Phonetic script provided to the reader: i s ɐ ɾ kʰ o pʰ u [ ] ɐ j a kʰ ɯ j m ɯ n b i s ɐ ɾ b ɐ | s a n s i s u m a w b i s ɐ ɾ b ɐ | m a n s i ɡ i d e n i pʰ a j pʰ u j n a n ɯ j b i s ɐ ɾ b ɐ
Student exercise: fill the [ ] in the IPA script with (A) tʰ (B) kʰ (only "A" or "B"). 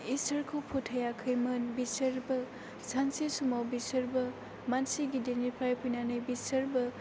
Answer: A